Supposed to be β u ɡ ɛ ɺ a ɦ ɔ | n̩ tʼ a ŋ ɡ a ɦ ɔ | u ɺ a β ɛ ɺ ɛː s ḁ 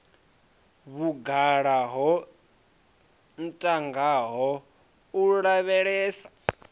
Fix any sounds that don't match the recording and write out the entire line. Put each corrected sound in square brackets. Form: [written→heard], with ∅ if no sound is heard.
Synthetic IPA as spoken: β u ɡ [ɛ→a] ɺ a ɦ ɔ | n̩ tʼ a ŋ ɡ a ɦ ɔ | u ɺ a β ɛ ɺ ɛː s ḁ